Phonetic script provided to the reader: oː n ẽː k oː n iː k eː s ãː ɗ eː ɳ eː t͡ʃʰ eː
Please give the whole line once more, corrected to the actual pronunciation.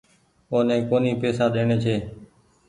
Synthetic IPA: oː n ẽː k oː n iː p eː s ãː ɗ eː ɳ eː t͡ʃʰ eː